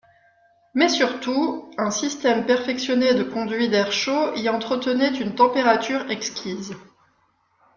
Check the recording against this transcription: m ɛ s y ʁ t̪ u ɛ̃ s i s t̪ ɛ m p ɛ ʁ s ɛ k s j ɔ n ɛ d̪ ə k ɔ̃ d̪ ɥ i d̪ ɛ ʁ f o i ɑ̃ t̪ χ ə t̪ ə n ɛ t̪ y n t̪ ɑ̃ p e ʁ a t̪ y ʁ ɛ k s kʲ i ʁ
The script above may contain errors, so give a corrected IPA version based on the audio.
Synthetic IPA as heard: m ɛ s y ʁ t̪ u ɛ̃ s i s t̪ ɛ m p ɛ ʁ f ɛ k s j ɔ n e d̪ ə k ɔ̃ d̪ ɥ i d̪ ɛ ʁ ʃ o i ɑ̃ t̪ χ ə t̪ ə n ɛ t̪ y n t̪ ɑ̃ p e ʁ a t̪ y ʁ ɛ k s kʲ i z